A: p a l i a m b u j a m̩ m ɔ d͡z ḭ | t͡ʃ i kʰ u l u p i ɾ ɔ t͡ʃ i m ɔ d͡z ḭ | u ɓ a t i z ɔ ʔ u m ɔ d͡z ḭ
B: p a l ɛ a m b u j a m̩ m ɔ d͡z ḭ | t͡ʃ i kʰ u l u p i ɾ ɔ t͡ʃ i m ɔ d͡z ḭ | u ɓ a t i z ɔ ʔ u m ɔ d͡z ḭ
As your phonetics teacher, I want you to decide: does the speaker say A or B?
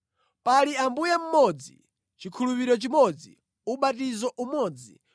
A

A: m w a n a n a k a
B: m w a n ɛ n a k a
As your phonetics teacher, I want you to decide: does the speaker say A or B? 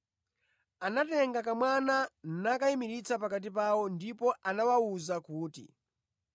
A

